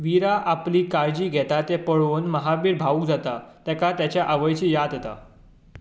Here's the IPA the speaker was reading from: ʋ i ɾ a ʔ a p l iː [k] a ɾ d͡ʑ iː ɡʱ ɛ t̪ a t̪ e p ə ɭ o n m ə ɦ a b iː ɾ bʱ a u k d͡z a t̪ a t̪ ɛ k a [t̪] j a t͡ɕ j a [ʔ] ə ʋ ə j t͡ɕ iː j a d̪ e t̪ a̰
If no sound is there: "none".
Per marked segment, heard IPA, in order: k, t̪, ʔ

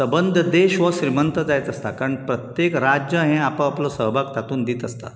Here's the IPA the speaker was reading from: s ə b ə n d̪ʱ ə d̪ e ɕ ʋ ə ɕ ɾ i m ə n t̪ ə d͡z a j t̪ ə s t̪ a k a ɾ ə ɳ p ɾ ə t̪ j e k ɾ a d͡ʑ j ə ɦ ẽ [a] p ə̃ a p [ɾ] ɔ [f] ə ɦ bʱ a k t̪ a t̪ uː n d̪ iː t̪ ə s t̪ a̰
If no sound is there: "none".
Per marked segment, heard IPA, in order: a, l, s

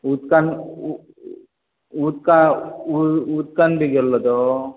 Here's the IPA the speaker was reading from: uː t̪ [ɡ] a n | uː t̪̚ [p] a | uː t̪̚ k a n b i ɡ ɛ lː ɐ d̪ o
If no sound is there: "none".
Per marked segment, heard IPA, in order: k, k

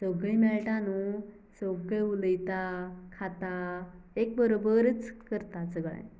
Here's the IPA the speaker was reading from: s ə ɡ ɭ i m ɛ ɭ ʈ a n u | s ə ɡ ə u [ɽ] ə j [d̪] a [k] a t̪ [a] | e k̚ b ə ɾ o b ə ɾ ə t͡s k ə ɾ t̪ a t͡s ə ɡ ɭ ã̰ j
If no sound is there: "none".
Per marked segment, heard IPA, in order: l, t̪, kʰ, a

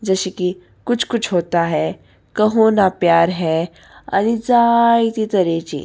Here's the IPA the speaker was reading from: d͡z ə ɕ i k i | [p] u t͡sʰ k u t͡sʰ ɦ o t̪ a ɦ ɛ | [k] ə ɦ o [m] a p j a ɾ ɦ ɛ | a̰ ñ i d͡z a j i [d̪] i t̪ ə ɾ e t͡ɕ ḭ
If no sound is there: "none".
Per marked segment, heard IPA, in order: k, k, n, t̪

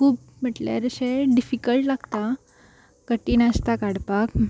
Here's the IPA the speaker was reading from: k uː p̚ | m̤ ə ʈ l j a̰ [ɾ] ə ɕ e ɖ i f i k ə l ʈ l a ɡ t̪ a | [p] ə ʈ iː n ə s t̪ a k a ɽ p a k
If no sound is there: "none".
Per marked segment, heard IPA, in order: ɾ, k

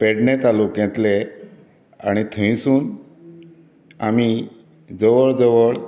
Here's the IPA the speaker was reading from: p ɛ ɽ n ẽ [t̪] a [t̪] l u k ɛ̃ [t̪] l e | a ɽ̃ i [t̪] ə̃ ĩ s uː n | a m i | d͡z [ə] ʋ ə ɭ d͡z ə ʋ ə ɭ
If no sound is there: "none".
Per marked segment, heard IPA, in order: t̪, none, t̪, t̪ʰ, ə

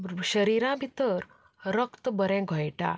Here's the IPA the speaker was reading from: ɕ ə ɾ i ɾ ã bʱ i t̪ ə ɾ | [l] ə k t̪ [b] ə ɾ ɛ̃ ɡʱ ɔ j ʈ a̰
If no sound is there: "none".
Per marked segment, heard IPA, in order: ɾ, b

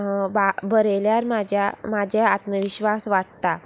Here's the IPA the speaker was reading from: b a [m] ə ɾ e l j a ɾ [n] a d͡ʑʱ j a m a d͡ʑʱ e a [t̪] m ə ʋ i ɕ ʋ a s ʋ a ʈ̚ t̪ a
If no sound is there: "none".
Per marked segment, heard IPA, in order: b, m, t̪

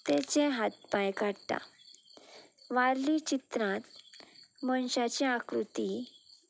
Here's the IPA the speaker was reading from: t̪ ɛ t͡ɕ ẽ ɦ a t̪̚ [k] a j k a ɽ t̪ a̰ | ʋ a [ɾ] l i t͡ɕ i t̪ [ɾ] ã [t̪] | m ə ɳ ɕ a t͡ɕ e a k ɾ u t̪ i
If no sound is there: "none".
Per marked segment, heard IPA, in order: p, ɾ, ɾ, t̪

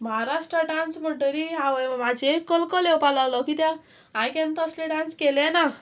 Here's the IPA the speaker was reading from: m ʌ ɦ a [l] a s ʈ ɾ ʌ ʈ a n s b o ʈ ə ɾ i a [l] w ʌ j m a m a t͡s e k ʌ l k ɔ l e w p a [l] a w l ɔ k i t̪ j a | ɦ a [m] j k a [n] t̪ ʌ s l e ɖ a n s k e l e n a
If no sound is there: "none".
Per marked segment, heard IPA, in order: ɾ, none, l, none, n

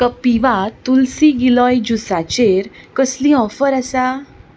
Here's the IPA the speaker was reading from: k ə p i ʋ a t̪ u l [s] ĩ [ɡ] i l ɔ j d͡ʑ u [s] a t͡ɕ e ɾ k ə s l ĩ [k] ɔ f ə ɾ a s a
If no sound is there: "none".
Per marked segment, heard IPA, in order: s, ɡ, s, none

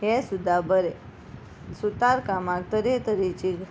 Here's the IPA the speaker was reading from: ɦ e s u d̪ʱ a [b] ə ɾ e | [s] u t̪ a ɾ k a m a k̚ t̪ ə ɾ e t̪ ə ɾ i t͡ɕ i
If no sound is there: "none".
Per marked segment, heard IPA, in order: b, s

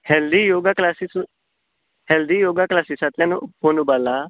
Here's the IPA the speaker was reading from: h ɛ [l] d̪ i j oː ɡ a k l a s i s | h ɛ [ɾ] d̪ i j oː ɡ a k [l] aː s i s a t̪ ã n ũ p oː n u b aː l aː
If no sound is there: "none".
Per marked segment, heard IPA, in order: l, l, l

